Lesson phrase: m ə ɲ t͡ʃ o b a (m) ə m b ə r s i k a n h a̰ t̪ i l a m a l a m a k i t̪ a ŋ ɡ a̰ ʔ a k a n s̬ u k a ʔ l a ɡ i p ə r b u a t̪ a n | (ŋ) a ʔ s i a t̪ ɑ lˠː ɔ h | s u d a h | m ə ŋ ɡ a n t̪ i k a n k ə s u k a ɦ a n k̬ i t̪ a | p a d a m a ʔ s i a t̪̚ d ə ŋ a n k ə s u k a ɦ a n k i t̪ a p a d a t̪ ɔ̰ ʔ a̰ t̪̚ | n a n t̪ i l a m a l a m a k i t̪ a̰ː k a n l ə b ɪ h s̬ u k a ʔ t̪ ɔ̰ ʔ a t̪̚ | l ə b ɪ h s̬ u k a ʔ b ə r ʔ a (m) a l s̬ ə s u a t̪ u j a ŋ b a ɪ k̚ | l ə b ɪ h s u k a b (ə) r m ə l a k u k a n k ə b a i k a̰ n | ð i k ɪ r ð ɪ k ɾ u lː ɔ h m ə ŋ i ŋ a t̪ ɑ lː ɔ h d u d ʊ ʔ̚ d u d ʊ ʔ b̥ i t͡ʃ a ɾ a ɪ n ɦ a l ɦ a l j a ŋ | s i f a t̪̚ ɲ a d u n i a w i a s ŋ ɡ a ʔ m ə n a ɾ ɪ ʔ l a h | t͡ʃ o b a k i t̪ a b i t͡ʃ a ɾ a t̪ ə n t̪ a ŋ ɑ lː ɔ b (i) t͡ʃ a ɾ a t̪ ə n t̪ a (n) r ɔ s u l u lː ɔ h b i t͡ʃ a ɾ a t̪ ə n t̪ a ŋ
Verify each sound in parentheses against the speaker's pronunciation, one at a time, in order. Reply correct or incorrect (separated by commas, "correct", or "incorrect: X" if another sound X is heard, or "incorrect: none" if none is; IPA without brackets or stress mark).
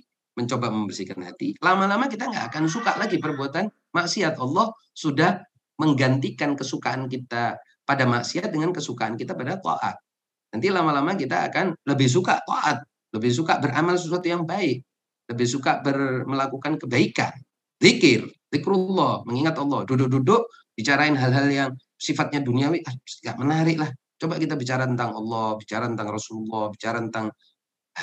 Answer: correct, incorrect: m, correct, correct, correct, incorrect: ŋ